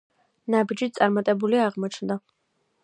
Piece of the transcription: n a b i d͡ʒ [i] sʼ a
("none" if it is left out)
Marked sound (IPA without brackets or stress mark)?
i